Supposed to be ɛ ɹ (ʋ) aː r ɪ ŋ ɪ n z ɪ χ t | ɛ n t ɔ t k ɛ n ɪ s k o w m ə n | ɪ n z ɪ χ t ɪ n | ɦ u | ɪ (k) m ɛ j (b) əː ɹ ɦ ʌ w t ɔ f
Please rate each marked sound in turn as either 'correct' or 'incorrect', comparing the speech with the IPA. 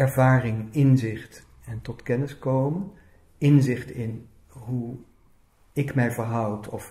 incorrect: v, correct, incorrect: v

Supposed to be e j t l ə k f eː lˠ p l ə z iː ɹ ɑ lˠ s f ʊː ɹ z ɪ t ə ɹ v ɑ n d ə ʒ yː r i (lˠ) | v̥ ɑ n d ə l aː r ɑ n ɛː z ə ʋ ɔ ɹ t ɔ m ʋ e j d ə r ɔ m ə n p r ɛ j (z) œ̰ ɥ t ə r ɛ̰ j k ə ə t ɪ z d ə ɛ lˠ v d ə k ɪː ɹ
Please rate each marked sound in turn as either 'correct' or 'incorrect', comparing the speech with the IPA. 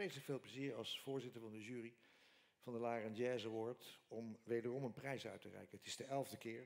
incorrect: none, incorrect: s

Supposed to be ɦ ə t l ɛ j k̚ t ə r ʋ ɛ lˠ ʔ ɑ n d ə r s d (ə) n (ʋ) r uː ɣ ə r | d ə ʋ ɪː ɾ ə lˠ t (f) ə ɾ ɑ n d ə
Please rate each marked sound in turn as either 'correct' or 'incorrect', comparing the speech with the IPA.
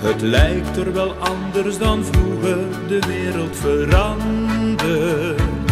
incorrect: ɑ, incorrect: v, correct

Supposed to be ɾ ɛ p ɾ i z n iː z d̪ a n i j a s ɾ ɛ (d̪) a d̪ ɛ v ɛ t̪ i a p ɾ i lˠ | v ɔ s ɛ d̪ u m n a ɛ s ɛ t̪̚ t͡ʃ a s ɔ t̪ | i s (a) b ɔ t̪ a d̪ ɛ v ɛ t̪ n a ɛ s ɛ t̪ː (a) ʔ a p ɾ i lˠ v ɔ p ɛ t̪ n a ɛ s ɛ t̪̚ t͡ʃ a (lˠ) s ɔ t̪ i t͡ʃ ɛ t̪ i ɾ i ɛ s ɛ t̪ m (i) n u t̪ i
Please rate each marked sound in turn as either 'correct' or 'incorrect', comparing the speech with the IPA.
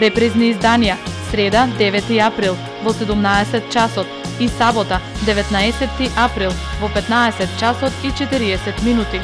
correct, correct, incorrect: i, incorrect: none, correct

